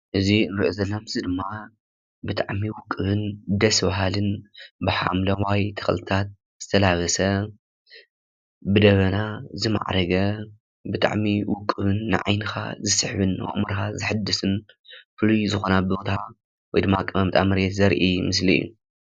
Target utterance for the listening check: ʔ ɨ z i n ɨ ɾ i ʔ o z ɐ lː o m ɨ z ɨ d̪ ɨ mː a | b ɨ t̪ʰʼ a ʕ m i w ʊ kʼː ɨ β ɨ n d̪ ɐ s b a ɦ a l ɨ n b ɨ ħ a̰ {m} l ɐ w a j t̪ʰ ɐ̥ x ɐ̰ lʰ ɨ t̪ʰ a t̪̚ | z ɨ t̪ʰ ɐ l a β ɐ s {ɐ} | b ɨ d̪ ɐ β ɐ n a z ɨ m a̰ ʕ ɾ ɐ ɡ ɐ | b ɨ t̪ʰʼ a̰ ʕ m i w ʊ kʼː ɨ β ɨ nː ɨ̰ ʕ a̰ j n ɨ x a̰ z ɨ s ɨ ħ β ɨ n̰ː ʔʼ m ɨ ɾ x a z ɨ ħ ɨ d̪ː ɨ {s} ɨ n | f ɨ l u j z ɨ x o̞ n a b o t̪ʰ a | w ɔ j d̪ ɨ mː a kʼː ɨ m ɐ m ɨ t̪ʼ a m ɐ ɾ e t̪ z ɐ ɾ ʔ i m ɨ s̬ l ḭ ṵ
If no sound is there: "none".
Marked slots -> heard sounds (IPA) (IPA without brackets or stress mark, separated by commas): m, ɐ, s